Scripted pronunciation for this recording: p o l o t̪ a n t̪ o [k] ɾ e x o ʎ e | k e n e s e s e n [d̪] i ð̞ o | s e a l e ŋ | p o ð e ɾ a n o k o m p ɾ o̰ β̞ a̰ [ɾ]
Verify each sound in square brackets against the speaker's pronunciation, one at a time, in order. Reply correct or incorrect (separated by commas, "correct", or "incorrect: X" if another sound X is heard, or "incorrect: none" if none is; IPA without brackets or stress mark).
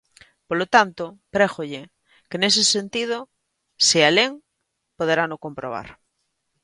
incorrect: p, incorrect: t̪, correct